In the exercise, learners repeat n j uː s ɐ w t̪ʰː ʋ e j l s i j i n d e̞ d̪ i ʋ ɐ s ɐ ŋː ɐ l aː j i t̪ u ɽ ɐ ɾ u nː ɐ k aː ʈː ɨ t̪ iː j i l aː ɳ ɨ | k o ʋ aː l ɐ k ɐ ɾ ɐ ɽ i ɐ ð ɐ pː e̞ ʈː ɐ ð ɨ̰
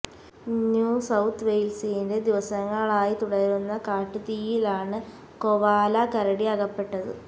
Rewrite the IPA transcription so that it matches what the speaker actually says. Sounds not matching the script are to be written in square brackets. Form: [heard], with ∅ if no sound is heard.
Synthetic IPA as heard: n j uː s ɐ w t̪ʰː ʋ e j l s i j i n d e̞ d̪ i ʋ ɐ s ɐ ŋː ɐ [ɭ] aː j i t̪ u ɽ ɐ ɾ u nː ɐ k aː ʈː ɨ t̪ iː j i l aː ɳ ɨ | k o ʋ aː l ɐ k ɐ ɾ ɐ ɽ i ɐ [ɣ] ɐ pː e̞ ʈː ɐ ð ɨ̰

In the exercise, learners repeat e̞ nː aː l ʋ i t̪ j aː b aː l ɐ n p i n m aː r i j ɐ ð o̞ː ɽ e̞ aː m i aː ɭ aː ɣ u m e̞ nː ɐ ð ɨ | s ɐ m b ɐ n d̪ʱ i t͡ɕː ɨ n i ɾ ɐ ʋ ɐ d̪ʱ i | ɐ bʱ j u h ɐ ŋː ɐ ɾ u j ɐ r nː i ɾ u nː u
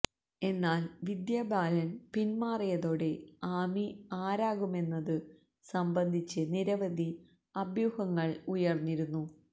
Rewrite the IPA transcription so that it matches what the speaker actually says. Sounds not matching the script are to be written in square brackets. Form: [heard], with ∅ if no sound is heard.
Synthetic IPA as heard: e̞ nː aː l ʋ i [d̪] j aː b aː l ɐ n p i n m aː r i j ɐ ð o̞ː ɽ e̞ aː m i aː [ɾ] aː ɣ u m e̞ nː ɐ ð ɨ | s ɐ m b ɐ n d̪ʱ i t͡ɕː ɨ n i ɾ ɐ ʋ ɐ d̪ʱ i | ɐ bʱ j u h ɐ ŋː ɐ [ɭ] u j ɐ r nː i ɾ u nː u

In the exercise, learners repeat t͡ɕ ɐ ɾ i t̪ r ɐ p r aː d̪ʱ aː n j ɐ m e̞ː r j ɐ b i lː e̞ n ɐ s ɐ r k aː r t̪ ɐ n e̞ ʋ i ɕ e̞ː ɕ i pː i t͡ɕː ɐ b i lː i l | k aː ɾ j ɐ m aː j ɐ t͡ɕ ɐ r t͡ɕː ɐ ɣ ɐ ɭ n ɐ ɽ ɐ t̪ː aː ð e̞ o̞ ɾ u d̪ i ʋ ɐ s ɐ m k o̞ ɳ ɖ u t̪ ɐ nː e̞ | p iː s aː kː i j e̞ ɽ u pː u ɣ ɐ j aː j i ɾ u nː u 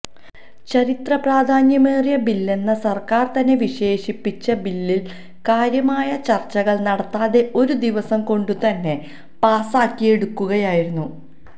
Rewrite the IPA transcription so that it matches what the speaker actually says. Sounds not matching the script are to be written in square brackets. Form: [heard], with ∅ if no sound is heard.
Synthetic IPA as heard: t͡ɕ ɐ ɾ i t̪ r ɐ p r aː d̪ʱ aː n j ɐ m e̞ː r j ɐ b i lː e̞ [nː] ɐ s ɐ r k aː r t̪ ɐ [nː] e̞ ʋ i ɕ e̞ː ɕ i pː i t͡ɕː ɐ b i lː i l | k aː ɾ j ɐ m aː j ɐ t͡ɕ ɐ r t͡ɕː ɐ ɣ ɐ ɭ n ɐ ɽ ɐ t̪ː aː ð e̞ o̞ ɾ u d̪ i ʋ ɐ s ɐ m k o̞ ɳ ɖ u t̪ ɐ nː e̞ | p [aː] s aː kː i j e̞ ɽ u [kː] u ɣ ɐ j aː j i ɾ u nː u

